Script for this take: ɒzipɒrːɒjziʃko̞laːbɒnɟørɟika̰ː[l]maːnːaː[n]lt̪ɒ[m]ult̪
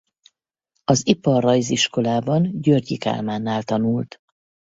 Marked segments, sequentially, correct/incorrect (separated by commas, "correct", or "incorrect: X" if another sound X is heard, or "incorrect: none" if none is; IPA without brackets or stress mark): correct, incorrect: none, incorrect: n